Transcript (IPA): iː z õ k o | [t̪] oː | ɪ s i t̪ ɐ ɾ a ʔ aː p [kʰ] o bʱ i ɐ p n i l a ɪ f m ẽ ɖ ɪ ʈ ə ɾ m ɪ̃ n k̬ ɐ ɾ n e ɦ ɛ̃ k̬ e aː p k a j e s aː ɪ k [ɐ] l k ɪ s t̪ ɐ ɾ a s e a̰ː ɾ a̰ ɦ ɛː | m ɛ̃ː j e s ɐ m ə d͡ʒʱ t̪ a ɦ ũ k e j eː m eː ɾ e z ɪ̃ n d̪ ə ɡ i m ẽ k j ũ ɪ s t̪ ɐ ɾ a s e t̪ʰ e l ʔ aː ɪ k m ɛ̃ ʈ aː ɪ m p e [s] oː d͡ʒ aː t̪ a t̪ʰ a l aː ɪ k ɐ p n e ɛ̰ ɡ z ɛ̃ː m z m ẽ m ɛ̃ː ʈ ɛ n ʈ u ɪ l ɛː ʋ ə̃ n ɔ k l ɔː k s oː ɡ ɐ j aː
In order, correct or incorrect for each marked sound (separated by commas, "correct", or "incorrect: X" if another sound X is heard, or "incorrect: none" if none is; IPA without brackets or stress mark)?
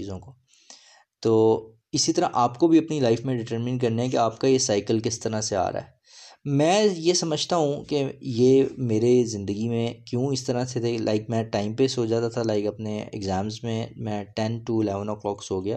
correct, incorrect: k, incorrect: ə, correct